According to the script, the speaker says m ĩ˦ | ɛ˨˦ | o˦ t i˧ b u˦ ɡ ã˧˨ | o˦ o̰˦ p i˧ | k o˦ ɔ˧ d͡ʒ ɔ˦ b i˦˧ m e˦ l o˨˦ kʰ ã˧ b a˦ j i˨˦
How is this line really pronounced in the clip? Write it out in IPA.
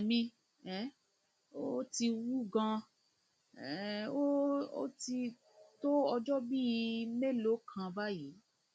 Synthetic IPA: m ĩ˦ | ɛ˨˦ | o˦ t i˧ w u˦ ɡ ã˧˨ | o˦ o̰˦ t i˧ | t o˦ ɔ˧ d͡ʒ ɔ˦ b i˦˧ m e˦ l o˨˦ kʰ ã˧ b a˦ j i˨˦